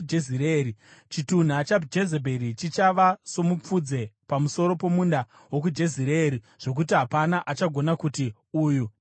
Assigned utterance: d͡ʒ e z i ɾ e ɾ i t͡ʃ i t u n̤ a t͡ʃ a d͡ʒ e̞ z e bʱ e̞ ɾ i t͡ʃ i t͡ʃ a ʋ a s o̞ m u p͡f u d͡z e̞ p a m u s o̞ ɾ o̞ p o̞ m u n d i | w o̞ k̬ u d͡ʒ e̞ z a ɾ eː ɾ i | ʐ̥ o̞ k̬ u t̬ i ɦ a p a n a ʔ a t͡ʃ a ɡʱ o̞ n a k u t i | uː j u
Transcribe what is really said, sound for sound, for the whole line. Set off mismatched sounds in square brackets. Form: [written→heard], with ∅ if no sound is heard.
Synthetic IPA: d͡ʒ e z i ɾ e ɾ i t͡ʃ i t u n̤ a t͡ʃ a d͡ʒ e̞ z e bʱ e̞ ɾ i t͡ʃ i t͡ʃ a ʋ a s o̞ m u p͡f u d͡z e̞ p a m u s o̞ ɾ o̞ p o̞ m u n d [i→a] | w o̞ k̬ u d͡ʒ e̞ z [a→i] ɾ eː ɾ i | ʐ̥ o̞ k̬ u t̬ i ɦ a p a n a ʔ a t͡ʃ a ɡʱ o̞ n a k u t i | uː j u

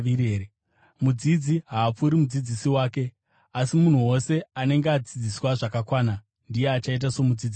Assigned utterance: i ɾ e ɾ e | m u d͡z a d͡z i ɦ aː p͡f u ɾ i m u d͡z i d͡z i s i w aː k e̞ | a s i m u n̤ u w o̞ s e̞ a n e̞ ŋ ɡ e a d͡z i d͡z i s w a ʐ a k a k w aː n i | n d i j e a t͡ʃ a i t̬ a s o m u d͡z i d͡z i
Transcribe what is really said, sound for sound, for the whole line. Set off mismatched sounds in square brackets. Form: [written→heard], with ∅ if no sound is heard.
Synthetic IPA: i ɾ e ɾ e | m u d͡z [a→i] d͡z i ɦ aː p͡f u ɾ i m u d͡z i d͡z i s i w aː k e̞ | a s i m u n̤ u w o̞ s e̞ a n e̞ ŋ ɡ e a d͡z i d͡z i s w a ʐ a k a k w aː n [i→a] | n d i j e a t͡ʃ a i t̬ a s o m u d͡z i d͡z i

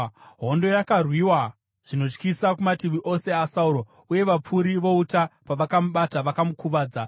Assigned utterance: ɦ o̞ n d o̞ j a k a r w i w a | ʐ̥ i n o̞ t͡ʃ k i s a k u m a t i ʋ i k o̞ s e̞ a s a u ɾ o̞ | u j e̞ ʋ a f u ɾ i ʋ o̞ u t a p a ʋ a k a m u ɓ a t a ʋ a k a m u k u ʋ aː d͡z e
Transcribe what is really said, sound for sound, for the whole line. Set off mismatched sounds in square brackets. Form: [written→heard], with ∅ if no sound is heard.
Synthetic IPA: ɦ o̞ n d o̞ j a k a r w i w a | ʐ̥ i n o̞ t͡ʃ k i s a k u m a t i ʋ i [k→ʔ] o̞ s e̞ a s a u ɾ o̞ | u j e̞ ʋ a [f→p͡f] u ɾ i ʋ o̞ u t a p a ʋ a k a m u ɓ a t a ʋ a k a m u k u ʋ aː d͡z [e→a]

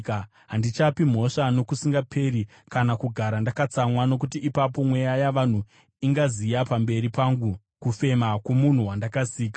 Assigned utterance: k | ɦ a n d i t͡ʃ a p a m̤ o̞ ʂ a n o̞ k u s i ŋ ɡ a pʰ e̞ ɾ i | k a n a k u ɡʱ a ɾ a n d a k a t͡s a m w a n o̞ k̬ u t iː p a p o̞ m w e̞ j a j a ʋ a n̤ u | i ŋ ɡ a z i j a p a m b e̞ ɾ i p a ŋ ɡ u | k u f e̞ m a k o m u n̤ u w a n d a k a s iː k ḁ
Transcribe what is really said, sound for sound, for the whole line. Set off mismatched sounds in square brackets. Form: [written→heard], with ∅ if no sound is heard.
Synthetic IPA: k | ɦ a n d i t͡ʃ a p [a→i] m̤ o̞ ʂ a n o̞ k u s i ŋ ɡ a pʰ e̞ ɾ i | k a n a k u ɡʱ a ɾ a n d a k a t͡s a m w a n o̞ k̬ u t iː p a p o̞ m w e̞ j a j a ʋ a n̤ u | i ŋ ɡ a z i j a p a m b e̞ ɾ i p a ŋ ɡ u | k u f e̞ m a k o m u n̤ u w a n d a k a s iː k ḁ

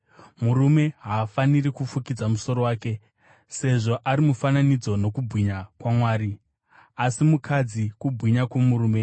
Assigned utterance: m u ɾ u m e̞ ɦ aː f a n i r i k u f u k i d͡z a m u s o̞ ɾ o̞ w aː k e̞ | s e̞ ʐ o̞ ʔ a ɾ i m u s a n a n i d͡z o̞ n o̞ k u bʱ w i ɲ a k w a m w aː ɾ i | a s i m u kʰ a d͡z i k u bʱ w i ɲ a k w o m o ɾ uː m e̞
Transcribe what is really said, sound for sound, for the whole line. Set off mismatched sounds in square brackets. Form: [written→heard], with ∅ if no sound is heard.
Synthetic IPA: m u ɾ u m e̞ ɦ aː f a n i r i k u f u k i d͡z a m u s o̞ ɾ o̞ w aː k e̞ | s e̞ ʐ o̞ ʔ a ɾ i m u [s→f] a n a n i d͡z o̞ n o̞ k u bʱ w i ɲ a k w a m w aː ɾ i | a s i m u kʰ a d͡z i k u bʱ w i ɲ a k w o m [o→u] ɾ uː m e̞

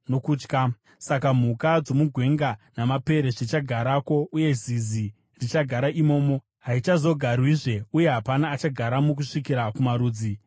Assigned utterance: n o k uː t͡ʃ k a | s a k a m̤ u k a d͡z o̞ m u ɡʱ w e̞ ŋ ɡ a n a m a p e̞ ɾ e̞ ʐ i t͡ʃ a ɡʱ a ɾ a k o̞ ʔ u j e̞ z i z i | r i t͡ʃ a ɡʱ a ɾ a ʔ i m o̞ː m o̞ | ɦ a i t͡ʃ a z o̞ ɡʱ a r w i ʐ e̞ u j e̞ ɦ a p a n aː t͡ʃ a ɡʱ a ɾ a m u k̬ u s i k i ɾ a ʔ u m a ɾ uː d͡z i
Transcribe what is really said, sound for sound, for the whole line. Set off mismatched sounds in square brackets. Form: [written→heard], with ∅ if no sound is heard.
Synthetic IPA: n o k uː t͡ʃ k a | s a k a m̤ u k a d͡z o̞ m u ɡʱ w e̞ ŋ ɡ a n a m a p e̞ ɾ e̞ ʐ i t͡ʃ a ɡʱ a ɾ a k o̞ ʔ u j e̞ z i z i | r i t͡ʃ a ɡʱ a ɾ a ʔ i m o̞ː m o̞ | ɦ a i t͡ʃ a z o̞ ɡʱ a r w i ʐ e̞ u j e̞ ɦ a p a n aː t͡ʃ a ɡʱ a ɾ a m u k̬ u [s→ʂ] i k i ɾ a [ʔ→k] u m a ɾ uː d͡z i

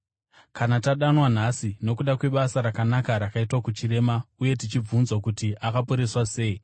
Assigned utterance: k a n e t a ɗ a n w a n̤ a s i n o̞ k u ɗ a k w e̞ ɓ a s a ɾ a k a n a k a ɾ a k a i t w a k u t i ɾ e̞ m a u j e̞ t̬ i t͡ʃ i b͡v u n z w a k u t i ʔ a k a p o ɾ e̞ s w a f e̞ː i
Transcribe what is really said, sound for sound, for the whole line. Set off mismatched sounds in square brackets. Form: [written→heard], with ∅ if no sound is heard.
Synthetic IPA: k a n [e→a] t a ɗ a n w a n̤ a s i n o̞ k u ɗ a k w e̞ ɓ a s a ɾ a k a n a k a ɾ a k a i t w a k u [t→t͡ʃ] i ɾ e̞ m a u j e̞ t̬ i t͡ʃ i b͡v u n z w a k u t i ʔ a k a p o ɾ e̞ s w a [f→s] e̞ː i

